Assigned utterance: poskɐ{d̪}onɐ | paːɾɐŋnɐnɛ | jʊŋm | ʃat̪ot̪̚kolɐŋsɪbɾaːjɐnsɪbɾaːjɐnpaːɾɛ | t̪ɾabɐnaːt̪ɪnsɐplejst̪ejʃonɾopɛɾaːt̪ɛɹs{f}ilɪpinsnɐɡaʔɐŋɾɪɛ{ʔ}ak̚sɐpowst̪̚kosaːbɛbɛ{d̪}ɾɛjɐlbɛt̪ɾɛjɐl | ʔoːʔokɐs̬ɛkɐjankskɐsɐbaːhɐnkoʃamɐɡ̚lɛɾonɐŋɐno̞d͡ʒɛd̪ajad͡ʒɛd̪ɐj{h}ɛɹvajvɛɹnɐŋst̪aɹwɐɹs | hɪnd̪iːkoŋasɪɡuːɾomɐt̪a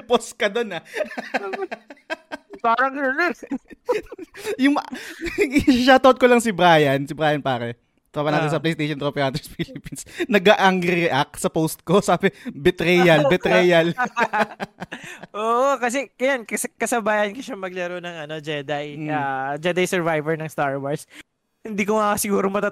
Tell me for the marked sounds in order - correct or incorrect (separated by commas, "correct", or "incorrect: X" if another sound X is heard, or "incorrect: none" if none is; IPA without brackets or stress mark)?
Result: correct, correct, correct, incorrect: t̪, incorrect: s